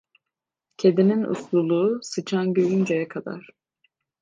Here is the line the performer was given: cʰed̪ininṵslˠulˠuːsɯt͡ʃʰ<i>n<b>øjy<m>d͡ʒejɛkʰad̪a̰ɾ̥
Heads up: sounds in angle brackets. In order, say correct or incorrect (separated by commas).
incorrect, incorrect, incorrect